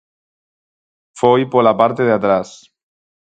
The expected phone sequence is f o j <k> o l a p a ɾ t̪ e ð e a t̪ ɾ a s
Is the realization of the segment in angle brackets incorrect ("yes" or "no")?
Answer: yes